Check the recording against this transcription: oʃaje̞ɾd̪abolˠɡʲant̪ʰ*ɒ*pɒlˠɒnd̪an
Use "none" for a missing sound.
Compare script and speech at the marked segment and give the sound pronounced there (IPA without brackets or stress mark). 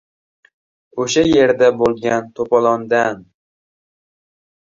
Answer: o